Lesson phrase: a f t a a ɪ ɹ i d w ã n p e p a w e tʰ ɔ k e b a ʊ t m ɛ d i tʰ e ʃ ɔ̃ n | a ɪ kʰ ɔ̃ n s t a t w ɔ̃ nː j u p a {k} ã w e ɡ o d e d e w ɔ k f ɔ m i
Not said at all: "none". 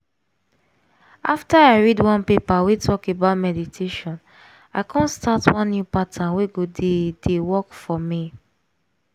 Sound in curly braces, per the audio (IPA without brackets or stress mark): t